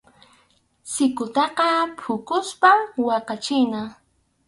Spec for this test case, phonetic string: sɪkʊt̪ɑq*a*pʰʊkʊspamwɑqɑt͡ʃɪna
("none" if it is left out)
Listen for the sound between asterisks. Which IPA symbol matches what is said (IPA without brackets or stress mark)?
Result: ɑ